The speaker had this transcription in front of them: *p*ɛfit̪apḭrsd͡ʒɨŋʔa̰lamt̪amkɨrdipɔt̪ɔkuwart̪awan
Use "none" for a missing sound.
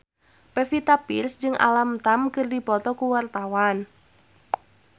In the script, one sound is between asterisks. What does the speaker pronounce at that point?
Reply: p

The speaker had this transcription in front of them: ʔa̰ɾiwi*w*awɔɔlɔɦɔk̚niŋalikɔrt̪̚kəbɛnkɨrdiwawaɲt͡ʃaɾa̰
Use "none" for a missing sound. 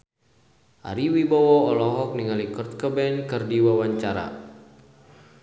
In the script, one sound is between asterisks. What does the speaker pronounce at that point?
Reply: b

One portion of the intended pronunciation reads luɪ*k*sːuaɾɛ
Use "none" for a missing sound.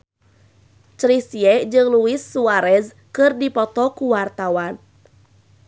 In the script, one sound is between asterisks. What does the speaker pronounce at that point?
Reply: none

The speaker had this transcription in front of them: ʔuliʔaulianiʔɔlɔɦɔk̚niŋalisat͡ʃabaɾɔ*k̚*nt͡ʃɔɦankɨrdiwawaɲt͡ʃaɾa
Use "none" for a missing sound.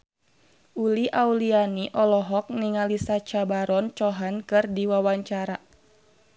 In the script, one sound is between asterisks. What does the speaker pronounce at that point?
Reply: none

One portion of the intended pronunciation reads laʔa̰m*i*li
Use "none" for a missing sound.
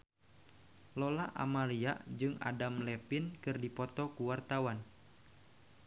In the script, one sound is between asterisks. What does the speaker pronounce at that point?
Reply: a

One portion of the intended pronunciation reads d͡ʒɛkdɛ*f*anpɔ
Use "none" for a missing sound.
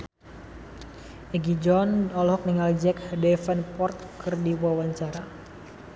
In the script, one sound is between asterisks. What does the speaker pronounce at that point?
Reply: f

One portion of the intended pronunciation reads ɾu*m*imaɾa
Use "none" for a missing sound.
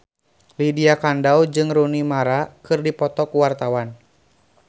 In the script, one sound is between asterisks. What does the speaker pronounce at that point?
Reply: n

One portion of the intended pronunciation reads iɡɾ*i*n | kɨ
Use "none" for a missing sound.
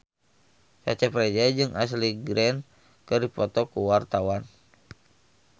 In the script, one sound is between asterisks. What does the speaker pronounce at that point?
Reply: ɛ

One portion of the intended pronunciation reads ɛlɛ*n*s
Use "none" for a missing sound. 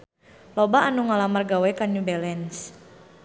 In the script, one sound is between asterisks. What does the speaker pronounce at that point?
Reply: n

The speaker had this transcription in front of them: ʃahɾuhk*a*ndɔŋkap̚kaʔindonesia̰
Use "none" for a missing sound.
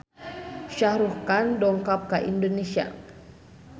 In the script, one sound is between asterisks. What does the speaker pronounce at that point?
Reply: a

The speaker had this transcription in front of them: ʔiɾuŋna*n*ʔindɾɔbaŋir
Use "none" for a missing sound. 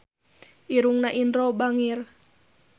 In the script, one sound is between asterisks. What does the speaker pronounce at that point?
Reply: none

